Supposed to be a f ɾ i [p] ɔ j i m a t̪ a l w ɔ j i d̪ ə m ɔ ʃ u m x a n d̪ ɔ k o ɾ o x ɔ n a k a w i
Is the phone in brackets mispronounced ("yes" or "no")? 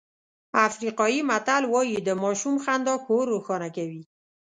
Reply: yes